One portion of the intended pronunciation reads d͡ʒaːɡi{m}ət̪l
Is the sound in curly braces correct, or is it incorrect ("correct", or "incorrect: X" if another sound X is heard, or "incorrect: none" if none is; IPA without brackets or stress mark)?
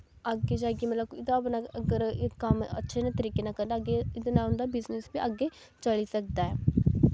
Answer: correct